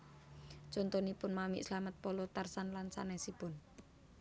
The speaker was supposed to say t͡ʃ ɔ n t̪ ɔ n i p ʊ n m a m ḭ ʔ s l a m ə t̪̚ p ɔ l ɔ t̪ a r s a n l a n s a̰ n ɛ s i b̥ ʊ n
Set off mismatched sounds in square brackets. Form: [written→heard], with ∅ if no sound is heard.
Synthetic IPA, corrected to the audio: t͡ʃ ɔ n t̪ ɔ n i p ʊ n m a m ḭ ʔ s l a m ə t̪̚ p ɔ l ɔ t̪ a r s a n l a n s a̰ n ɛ s i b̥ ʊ n